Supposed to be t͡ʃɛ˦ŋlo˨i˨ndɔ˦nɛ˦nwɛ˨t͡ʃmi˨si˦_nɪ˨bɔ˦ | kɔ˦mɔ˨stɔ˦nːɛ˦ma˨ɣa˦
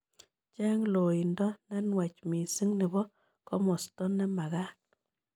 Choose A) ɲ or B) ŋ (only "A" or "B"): B